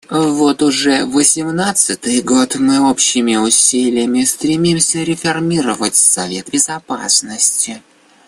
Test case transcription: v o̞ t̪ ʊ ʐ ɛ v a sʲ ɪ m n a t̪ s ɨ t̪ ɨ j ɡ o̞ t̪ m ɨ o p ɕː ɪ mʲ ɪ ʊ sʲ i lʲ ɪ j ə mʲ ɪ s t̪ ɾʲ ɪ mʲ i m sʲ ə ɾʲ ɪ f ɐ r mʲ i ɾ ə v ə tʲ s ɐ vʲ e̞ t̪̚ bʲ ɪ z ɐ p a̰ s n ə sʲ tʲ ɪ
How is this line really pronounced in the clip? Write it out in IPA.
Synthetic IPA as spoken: v o̞ t̪ ʊ ʐ ɛ v ə sʲ ɪ m n a t̪ s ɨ t̪ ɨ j ɡ o̞ t̪ m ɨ o p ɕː ɪ mʲ ɪ ʊ sʲ i lʲ ɪ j ə mʲ ɪ s t̪ ɾʲ ɪ mʲ i m sʲ ə ɾʲ ɪ f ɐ r mʲ i ɾ ə v ə tʲ s ɐ vʲ e̞ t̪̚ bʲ ɪ z ɐ p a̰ s n ə sʲ tʲ ɪ